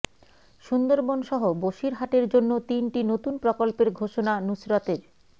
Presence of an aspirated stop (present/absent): absent